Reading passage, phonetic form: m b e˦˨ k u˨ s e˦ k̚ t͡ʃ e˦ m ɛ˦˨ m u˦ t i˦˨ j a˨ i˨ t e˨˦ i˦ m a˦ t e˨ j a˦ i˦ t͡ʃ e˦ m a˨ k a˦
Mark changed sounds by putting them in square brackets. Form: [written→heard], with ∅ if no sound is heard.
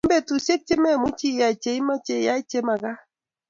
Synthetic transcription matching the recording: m b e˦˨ [k→t] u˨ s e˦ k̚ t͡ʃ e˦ m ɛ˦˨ m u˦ [t→t͡ʃ] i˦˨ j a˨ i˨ [t→t͡ʃ] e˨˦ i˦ m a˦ [t→t͡ʃ] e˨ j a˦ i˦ t͡ʃ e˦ m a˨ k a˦